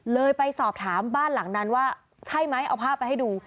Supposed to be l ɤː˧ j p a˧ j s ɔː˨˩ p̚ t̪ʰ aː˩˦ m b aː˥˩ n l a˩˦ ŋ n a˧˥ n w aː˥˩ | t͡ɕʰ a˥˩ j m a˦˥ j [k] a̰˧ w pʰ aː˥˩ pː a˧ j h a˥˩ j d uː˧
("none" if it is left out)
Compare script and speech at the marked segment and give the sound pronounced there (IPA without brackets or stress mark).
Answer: ʔ